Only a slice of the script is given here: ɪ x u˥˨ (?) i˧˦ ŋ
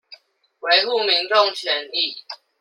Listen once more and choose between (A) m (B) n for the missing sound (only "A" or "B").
A